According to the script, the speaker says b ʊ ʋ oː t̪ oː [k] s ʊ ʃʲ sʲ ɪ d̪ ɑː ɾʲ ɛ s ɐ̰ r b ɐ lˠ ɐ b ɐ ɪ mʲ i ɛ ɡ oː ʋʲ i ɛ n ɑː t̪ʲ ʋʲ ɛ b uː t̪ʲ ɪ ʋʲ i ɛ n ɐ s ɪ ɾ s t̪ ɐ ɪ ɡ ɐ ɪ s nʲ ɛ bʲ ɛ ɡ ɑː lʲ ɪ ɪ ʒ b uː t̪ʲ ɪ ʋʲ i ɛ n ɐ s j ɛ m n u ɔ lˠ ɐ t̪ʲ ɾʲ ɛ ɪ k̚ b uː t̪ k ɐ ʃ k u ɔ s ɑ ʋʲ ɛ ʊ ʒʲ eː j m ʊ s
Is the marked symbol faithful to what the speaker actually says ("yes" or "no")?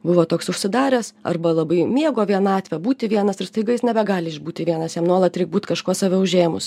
yes